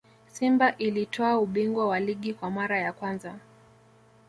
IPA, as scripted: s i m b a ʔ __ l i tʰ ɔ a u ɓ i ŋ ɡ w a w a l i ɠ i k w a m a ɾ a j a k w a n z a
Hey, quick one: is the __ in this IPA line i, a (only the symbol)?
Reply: i